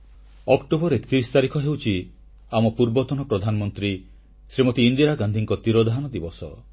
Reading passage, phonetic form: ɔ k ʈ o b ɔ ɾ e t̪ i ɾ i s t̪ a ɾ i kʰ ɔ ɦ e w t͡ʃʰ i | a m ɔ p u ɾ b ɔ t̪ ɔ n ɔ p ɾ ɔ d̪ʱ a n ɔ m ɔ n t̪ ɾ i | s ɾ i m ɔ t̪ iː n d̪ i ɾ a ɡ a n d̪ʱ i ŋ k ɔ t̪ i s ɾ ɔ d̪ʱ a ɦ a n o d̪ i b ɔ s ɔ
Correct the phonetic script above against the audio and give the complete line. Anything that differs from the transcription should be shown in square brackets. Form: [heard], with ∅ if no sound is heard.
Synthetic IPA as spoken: ɔ k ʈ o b ɔ ɾ e t̪ i ɾ i s t̪ a ɾ i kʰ ɔ ɦ e w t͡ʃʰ i | a m ɔ p u ɾ b ɔ t̪ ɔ n ɔ p ɾ ɔ d̪ʱ a n ɔ m ɔ n t̪ ɾ i | s ɾ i m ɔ t̪ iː n d̪ i ɾ a ɡ a n d̪ʱ i ŋ k ɔ t̪ i [∅] ɾ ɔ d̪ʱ a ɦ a n [ɔ] d̪ i b ɔ s ɔ